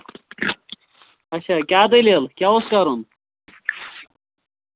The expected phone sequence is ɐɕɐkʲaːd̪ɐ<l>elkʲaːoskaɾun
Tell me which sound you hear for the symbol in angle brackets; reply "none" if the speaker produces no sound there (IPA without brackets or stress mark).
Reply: l